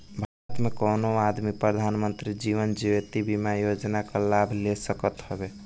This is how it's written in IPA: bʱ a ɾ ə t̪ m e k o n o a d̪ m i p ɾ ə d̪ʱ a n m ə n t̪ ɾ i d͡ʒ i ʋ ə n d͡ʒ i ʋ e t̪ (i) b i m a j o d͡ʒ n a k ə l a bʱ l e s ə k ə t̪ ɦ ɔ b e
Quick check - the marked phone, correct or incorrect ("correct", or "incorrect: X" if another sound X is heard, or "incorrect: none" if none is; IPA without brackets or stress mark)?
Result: correct